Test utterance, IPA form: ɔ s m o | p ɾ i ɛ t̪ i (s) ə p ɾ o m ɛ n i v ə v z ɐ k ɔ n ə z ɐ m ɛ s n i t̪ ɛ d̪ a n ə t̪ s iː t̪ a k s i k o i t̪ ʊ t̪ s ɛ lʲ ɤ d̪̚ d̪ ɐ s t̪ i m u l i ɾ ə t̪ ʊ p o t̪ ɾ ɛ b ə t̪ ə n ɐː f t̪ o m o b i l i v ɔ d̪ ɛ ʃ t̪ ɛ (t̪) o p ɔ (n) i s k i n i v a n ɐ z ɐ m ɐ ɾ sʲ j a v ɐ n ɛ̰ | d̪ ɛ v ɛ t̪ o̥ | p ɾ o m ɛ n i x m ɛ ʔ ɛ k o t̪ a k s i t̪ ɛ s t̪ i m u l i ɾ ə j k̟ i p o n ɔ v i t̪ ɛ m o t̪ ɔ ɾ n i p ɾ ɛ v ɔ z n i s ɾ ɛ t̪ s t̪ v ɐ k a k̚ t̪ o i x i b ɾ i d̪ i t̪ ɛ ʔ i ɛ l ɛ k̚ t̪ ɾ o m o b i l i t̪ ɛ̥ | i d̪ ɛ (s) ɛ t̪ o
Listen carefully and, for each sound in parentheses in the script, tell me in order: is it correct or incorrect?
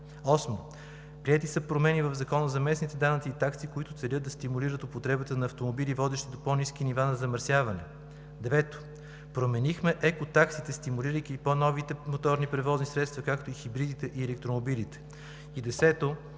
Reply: correct, incorrect, correct, correct

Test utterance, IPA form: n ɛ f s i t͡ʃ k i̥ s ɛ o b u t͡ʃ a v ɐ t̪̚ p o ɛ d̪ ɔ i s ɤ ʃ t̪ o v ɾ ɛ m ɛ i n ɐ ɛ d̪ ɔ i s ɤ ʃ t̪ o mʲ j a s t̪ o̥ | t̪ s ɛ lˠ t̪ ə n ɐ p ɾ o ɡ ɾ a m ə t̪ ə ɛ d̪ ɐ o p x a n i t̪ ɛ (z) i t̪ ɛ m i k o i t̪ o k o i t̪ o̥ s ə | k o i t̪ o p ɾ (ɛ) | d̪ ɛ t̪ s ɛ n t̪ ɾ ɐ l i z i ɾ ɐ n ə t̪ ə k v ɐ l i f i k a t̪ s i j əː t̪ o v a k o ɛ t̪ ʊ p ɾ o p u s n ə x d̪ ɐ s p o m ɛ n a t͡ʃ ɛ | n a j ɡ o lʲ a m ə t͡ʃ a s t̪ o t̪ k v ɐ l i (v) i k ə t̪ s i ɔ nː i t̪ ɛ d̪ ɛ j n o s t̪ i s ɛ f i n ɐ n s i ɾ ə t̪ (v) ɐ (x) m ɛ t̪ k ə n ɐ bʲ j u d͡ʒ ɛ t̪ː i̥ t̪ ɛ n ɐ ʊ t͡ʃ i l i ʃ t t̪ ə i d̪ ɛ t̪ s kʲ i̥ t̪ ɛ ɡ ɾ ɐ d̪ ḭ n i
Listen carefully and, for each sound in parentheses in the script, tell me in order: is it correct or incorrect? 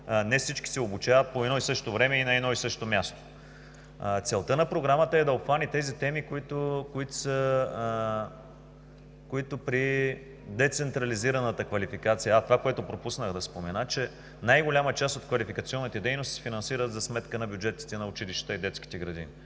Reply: correct, incorrect, incorrect, incorrect, incorrect

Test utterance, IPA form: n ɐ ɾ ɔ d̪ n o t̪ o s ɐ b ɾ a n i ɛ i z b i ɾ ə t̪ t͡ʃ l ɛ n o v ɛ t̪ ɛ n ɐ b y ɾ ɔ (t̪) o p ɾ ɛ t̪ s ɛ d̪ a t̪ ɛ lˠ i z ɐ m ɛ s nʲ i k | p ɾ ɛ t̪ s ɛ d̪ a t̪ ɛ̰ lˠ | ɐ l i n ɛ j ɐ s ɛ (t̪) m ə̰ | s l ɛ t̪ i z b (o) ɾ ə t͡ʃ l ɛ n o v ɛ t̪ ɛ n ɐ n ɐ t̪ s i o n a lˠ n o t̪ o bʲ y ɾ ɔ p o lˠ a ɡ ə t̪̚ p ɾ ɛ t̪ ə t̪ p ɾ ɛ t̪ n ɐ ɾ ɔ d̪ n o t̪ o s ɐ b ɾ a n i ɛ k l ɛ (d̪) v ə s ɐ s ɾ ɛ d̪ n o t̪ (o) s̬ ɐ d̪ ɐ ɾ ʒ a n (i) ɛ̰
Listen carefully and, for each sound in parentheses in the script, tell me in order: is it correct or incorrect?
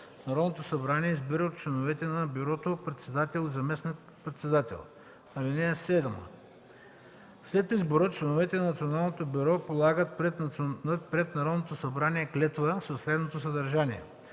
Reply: correct, incorrect, correct, incorrect, correct, correct

